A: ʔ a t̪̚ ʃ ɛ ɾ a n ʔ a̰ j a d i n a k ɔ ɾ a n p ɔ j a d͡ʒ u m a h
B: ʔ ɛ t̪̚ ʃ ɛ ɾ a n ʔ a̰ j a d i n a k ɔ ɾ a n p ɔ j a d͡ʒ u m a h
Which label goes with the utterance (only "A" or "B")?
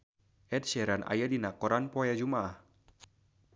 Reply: B